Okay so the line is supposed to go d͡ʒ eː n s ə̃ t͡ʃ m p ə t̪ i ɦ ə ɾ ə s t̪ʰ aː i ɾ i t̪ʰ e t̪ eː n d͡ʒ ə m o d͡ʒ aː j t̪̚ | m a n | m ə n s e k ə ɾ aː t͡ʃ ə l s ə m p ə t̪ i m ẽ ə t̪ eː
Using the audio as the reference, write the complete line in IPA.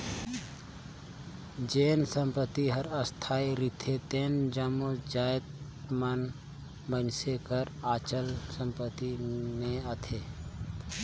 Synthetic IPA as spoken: d͡ʒ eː n s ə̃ m p ə t̪ i ɦ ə ɾ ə s t̪ʰ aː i ɾ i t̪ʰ e t̪ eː n d͡ʒ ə m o d͡ʒ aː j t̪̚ | m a n | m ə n s e k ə ɾ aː t͡ʃ ə l s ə m p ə t̪ i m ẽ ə t̪ʰ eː